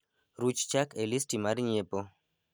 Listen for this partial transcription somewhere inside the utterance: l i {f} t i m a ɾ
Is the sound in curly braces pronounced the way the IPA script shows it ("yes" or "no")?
no